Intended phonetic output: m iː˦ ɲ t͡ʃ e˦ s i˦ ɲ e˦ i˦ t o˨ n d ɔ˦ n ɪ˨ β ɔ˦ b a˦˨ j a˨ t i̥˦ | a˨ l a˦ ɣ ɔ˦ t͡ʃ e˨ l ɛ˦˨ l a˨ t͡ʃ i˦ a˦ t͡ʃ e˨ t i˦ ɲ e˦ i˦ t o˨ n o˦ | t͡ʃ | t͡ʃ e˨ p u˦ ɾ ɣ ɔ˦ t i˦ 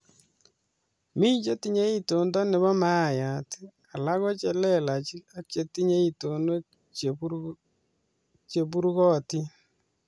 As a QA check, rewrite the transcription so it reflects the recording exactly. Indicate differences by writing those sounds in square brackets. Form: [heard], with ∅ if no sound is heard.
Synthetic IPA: m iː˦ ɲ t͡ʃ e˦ [t] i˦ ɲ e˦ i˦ t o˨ n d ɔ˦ n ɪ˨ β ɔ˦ [m] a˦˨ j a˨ t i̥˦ | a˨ l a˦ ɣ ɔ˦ t͡ʃ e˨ l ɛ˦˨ l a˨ t͡ʃ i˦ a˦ t͡ʃ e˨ t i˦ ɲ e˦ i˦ t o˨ n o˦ | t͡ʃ | t͡ʃ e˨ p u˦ ɾ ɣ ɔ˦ t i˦